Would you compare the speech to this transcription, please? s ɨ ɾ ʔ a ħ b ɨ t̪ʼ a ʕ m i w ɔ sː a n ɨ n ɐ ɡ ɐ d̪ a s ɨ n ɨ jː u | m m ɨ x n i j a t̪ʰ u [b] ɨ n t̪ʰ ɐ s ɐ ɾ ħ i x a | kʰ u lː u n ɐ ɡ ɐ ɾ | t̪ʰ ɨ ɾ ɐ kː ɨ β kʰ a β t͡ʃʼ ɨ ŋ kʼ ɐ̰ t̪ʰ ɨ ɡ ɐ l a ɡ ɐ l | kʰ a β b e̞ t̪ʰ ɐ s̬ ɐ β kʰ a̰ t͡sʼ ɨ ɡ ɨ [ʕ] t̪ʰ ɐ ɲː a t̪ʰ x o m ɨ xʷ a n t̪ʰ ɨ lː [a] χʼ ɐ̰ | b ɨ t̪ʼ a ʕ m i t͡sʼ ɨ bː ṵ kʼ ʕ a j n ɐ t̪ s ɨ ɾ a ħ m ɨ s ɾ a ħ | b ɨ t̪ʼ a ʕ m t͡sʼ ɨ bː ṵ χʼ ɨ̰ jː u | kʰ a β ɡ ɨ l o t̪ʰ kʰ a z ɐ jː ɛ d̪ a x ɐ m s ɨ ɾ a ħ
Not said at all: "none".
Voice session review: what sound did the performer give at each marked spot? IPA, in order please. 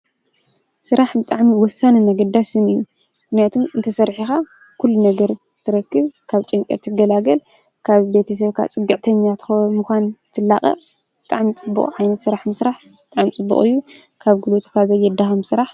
m, ʕ, a

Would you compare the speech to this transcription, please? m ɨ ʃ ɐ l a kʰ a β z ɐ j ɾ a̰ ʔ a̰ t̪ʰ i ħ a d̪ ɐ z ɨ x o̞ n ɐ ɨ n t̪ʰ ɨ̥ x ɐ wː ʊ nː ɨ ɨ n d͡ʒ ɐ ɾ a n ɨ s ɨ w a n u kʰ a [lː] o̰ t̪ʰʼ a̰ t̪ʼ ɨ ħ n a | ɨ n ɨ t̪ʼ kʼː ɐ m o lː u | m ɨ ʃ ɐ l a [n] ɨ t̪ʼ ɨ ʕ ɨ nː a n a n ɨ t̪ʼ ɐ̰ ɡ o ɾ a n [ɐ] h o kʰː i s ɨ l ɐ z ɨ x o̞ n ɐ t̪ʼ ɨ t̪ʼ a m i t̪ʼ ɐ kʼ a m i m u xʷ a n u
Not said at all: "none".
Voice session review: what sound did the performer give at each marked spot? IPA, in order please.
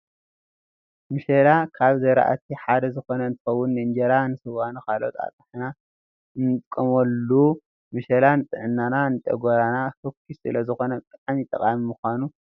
l, n, a

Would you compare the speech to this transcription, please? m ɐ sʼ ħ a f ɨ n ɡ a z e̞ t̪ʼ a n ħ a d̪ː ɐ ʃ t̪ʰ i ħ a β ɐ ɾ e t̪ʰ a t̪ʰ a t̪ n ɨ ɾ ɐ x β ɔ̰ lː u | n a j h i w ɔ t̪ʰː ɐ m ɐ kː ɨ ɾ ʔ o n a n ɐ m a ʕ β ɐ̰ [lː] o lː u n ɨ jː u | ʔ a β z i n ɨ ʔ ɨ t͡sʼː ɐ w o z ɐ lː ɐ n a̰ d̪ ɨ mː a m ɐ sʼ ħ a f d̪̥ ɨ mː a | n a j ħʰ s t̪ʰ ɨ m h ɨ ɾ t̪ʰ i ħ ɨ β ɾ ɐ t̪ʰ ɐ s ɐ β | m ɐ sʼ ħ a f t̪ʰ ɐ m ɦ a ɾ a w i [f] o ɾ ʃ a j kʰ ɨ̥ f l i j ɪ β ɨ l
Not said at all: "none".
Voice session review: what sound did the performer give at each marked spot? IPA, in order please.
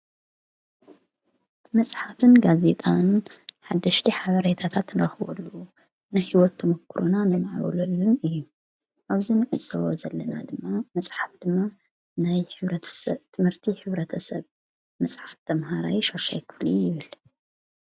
l, ʃ

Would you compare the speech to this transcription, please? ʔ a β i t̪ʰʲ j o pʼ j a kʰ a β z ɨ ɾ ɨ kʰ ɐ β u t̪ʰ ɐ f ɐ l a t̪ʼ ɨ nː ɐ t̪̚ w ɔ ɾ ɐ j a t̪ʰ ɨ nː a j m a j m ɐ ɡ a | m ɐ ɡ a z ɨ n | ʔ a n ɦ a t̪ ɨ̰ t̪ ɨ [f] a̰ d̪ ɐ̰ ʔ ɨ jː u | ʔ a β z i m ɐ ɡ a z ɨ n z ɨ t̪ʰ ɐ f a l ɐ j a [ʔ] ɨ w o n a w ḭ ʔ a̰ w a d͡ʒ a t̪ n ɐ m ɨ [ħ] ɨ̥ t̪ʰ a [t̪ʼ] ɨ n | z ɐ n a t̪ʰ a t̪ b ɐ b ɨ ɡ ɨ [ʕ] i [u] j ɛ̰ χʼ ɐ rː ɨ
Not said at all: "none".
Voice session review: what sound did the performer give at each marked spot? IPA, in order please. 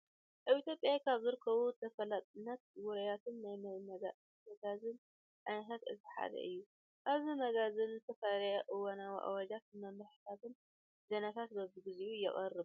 ħ, ʔ, ħ, t̪, z, u

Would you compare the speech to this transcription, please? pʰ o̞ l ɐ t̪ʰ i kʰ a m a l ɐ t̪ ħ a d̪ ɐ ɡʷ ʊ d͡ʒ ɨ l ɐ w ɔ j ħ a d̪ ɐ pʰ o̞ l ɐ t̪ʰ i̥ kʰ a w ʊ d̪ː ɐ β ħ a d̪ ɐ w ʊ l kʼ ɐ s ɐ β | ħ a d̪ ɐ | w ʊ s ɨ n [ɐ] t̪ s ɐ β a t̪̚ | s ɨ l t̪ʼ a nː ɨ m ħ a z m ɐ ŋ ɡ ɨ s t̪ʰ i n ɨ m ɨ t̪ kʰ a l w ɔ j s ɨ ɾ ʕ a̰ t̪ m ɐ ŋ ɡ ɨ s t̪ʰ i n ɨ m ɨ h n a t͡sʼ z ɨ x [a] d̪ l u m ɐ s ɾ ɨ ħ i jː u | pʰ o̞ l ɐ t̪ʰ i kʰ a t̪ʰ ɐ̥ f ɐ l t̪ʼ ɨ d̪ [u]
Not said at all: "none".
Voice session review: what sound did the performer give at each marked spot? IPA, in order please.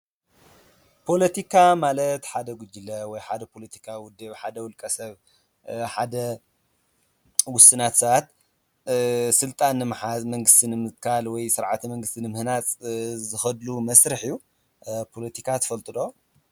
a, ɐ, o

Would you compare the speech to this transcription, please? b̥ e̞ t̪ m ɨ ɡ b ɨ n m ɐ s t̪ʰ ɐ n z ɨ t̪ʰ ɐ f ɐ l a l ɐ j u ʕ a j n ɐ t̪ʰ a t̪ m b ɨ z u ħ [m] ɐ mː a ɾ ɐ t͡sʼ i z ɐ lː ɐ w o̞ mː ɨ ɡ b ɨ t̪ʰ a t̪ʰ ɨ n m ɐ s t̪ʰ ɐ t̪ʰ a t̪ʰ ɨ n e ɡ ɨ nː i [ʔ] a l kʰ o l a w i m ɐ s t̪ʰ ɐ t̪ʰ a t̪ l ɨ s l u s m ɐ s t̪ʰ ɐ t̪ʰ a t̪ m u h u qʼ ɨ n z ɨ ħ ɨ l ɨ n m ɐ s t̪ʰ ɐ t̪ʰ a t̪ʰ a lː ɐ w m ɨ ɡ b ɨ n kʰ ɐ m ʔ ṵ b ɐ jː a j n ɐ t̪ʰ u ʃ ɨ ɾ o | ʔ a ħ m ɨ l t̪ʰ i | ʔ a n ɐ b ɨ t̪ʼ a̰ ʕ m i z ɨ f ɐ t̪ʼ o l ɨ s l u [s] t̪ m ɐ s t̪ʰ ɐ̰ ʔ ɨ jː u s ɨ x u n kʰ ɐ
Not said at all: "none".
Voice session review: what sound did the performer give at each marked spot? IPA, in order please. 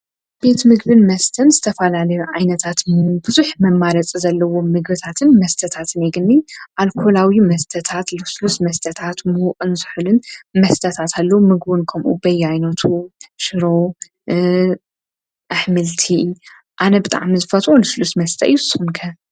m, ʔ, s

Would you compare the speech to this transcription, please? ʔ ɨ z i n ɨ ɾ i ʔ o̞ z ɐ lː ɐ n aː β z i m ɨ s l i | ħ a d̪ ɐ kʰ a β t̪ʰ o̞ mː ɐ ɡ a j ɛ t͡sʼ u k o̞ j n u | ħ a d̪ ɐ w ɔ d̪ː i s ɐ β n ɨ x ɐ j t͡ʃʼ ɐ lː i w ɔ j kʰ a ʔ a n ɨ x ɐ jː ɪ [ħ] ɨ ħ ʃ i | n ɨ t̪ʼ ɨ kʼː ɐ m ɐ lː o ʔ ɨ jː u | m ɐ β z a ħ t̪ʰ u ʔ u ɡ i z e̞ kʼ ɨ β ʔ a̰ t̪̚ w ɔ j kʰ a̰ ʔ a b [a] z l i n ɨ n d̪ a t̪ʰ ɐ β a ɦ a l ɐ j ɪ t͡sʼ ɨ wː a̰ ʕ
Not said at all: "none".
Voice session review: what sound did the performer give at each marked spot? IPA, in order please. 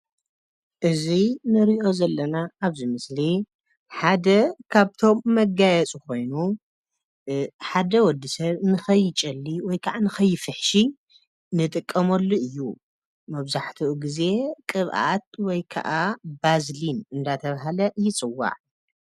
f, a

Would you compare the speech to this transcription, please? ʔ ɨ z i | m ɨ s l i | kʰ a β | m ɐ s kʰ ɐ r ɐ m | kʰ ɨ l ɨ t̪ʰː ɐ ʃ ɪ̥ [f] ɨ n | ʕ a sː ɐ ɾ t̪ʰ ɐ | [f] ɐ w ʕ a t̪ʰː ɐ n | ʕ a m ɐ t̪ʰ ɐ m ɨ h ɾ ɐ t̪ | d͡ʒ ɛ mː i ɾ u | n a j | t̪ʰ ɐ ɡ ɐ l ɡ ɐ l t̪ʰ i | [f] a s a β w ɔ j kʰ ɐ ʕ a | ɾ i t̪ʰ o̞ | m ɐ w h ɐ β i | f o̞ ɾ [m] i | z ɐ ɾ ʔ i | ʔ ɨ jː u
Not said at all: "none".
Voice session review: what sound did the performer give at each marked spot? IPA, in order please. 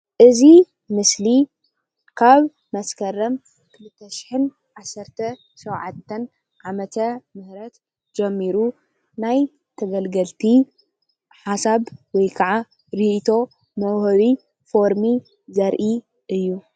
ħ, ʃ, ħ, m

